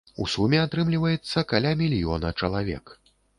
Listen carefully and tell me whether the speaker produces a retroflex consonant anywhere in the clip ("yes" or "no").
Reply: yes